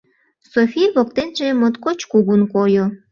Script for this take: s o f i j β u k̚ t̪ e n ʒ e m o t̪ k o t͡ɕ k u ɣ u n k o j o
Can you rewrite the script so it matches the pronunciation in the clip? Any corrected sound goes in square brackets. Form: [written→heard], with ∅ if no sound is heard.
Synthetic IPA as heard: s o f i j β [u→o] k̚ t̪ e n ʒ e m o t̪ k o t͡ɕ k u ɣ u n k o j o